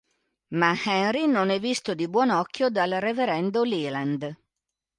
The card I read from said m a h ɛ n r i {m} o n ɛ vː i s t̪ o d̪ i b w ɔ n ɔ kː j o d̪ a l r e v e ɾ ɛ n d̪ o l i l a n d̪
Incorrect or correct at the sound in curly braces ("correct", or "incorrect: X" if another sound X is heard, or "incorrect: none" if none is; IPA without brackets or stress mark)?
incorrect: n